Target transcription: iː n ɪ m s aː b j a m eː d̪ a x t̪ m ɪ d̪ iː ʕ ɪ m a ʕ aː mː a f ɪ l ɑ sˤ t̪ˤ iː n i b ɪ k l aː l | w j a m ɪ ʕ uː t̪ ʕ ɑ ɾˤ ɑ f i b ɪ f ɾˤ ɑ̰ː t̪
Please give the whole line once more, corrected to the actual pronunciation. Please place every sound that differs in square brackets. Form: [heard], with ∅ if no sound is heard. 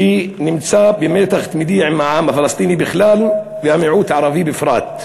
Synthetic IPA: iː n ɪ m s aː b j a m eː [t̪] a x t̪ m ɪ d̪ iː ʕ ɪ m a ʕ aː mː a f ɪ l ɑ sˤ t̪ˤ iː n i b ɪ [x] l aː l | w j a m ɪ ʕ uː t̪ ʕ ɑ ɾˤ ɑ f i b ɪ f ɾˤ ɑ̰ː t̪